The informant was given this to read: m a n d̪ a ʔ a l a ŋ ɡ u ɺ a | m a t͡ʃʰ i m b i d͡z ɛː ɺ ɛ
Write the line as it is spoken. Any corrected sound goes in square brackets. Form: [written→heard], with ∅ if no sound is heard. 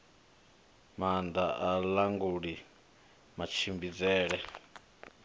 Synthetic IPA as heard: m a n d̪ a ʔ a l a ŋ ɡ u ɺ [a→i] | m a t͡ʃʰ i m b i d͡z ɛː ɺ ɛ